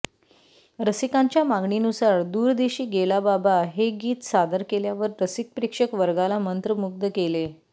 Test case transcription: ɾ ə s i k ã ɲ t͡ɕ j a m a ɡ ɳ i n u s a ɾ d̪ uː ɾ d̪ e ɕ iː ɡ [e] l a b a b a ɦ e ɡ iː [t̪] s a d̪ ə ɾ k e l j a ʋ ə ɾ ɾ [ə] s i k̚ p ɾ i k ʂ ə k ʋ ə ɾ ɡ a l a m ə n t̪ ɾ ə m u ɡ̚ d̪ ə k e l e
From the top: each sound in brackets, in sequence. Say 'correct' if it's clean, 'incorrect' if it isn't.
correct, correct, correct

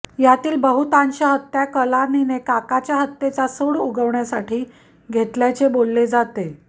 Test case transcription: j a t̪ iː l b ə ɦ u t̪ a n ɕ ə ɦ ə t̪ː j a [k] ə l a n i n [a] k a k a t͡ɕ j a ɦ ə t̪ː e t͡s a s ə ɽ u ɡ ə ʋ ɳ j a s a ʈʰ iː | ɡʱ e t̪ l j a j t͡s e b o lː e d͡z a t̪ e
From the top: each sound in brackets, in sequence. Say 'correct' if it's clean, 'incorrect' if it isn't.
correct, incorrect: e

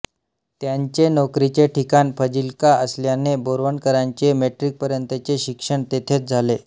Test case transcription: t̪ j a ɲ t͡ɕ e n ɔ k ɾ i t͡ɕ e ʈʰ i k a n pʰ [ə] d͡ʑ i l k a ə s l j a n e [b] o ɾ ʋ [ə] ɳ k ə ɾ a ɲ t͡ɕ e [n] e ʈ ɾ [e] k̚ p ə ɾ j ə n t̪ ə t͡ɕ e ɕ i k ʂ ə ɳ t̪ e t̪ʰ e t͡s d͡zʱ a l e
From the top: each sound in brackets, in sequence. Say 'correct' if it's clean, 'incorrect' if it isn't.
correct, correct, correct, incorrect: m, incorrect: i

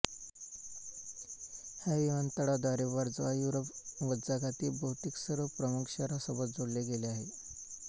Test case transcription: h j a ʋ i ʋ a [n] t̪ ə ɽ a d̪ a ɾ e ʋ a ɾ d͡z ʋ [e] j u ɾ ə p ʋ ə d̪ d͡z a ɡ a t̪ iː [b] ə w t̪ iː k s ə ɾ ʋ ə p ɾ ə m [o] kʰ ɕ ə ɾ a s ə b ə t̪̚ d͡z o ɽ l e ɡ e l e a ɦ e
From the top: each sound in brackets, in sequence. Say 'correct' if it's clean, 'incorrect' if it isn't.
correct, incorrect: a, correct, incorrect: u

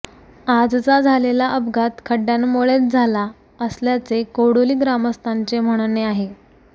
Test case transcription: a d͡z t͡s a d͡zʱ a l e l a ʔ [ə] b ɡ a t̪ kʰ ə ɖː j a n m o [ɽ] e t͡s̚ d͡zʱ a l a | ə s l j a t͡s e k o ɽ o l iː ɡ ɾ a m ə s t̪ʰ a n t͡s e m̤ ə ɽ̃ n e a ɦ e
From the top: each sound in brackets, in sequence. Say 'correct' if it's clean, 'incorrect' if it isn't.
correct, incorrect: ɭ

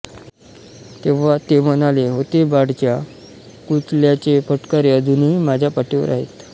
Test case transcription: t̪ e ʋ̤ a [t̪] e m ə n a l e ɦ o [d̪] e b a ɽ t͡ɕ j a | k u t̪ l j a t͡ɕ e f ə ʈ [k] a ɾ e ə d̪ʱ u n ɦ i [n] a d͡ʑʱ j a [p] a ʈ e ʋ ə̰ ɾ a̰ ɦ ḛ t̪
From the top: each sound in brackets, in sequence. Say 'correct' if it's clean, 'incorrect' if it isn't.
correct, incorrect: t̪, correct, incorrect: m, correct

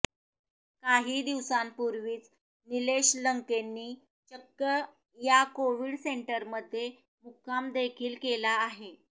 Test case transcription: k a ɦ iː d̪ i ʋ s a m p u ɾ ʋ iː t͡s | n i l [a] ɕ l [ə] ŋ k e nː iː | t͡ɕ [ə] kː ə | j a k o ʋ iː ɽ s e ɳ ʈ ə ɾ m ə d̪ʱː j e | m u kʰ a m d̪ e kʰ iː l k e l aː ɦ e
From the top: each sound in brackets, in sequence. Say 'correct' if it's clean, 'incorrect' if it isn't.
incorrect: e, correct, correct

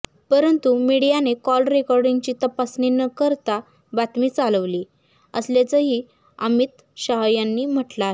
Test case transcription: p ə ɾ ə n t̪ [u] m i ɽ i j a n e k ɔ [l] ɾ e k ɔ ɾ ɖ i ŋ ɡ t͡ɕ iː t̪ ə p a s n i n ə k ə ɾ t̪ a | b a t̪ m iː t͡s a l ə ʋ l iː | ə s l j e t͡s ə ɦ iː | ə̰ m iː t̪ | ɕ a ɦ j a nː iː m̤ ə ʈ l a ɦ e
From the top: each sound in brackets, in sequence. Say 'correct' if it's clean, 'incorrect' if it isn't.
correct, correct

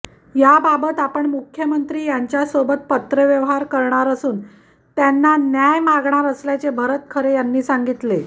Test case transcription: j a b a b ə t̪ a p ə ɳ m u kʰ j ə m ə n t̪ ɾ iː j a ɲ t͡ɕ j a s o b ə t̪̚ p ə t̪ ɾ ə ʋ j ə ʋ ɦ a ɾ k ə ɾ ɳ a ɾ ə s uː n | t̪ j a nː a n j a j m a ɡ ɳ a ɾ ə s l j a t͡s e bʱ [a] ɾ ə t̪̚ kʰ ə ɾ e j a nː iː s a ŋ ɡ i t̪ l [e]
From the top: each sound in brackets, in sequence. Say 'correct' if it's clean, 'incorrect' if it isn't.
incorrect: ə, correct

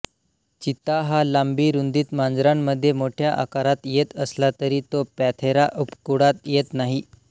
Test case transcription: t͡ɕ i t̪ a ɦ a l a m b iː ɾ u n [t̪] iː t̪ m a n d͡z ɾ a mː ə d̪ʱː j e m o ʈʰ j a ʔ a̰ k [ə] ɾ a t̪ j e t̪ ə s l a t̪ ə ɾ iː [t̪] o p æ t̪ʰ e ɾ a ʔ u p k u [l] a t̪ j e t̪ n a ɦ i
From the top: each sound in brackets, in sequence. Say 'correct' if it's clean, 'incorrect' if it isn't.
incorrect: d̪, incorrect: a, correct, incorrect: ɽ

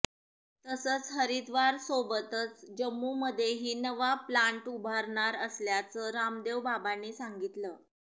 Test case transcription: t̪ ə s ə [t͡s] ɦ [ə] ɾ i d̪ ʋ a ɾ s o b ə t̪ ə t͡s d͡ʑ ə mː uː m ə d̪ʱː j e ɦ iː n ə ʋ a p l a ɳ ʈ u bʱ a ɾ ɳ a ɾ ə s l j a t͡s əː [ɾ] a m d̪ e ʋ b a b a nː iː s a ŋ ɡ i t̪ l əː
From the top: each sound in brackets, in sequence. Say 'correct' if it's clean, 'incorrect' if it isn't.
correct, correct, correct

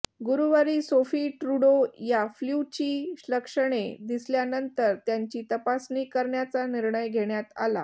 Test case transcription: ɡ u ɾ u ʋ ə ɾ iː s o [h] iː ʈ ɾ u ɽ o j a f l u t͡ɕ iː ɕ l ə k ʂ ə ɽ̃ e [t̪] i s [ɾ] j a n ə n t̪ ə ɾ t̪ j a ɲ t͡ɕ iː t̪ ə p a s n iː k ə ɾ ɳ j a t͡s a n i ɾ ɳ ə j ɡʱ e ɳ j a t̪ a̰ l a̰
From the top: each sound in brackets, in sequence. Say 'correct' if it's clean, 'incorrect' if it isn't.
incorrect: f, incorrect: d̪, incorrect: l

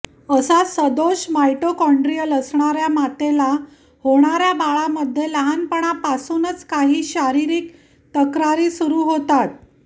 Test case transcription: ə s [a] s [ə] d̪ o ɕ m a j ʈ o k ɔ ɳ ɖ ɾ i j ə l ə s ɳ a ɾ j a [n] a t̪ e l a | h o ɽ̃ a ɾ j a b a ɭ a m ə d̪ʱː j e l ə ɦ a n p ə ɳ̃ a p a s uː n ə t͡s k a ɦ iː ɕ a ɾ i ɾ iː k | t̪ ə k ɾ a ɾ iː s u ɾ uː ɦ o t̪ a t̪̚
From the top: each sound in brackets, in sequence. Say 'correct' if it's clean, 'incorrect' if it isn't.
correct, correct, incorrect: m

